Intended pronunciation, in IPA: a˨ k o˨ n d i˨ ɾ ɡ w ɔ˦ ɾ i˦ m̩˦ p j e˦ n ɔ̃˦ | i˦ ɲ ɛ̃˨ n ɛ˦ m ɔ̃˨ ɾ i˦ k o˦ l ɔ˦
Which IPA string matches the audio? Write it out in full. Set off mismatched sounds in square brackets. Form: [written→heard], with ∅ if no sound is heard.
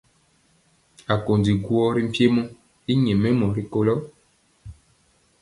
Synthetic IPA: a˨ k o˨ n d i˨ [ɾ→∅] ɡ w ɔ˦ ɾ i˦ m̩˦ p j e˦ [n→m] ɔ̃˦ | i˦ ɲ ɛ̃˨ [n→m] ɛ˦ m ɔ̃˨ ɾ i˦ k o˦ l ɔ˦